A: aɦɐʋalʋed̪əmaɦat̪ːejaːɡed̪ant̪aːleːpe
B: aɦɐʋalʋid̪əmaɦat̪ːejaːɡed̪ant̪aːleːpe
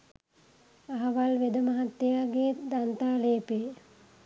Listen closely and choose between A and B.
A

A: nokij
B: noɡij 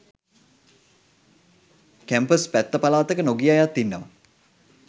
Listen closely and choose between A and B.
B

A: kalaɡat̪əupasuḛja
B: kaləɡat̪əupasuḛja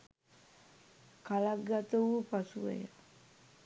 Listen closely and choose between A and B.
A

